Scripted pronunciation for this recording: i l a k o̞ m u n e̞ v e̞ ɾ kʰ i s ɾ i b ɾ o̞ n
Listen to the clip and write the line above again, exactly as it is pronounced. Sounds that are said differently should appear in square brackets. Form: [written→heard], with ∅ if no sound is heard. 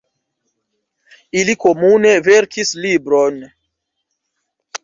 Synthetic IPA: i l [a→i] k o̞ m u n e̞ v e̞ ɾ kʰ i s [ɾ→l] i b ɾ o̞ n

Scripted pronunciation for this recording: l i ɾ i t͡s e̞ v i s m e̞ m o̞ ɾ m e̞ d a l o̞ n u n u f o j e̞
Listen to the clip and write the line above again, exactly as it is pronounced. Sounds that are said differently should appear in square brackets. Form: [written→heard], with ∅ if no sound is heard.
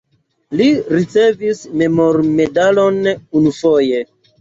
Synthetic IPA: l i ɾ i t͡s e̞ v i s m e̞ m o̞ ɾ m e̞ d a l o̞ n u n u f o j e̞

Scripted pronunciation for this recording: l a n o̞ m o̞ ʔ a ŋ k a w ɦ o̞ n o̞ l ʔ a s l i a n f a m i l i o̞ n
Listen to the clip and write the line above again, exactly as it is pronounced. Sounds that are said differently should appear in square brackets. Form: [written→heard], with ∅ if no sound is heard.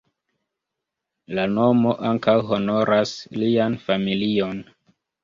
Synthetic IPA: l a n o̞ m o̞ ʔ a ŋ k a w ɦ o̞ n o̞ [l→ɾ] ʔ a s l i a n f a m i l i o̞ n

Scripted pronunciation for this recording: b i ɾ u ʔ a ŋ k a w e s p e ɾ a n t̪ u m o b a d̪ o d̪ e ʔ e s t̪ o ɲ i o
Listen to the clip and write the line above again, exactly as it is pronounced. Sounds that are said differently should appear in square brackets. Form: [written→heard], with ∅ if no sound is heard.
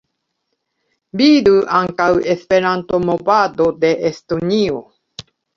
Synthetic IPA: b i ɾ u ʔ a ŋ k a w e s p e ɾ a n t̪ [u→o] m o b a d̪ o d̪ e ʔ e s t̪ o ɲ i o

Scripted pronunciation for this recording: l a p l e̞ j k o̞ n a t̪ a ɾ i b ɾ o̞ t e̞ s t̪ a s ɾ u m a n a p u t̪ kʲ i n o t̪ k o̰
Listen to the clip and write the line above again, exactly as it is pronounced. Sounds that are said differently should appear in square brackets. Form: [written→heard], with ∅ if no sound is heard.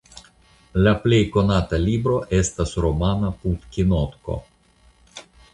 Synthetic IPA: l a p l e̞ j k o̞ n a t̪ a [ɾ→l] i b ɾ o̞ [t→ʔ] e̞ s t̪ a s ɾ [u→o] m a n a p u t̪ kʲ i n o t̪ k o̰

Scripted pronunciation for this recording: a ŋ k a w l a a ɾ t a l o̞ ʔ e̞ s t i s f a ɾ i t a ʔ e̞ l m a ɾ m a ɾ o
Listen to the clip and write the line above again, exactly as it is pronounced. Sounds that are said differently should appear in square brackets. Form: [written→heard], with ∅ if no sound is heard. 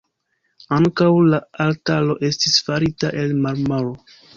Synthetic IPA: a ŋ k a w l a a [ɾ→l] t a l o̞ ʔ e̞ s t i s f a ɾ i t a ʔ e̞ l m a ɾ m a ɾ o

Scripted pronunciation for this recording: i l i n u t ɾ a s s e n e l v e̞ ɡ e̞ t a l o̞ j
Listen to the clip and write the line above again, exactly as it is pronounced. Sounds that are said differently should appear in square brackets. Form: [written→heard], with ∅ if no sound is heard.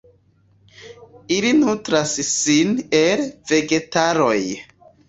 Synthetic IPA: i l i n u t ɾ a s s [e→i] n e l v e̞ ɡ e̞ t a [l→ɾ] o̞ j

